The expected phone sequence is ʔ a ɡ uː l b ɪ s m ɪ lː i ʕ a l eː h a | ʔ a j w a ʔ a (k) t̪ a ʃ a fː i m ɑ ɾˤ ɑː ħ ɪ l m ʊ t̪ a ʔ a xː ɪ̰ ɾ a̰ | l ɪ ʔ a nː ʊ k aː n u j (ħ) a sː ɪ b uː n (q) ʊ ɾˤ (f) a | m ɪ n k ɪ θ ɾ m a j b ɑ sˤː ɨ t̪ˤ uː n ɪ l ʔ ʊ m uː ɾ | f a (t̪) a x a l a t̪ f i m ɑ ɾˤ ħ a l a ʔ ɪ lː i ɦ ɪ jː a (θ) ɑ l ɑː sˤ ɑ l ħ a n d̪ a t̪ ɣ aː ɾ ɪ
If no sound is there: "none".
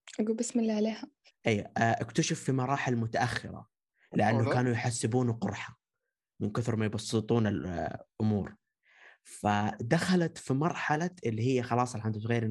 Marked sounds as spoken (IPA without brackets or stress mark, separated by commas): k, ħ, q, ħ, d̪, x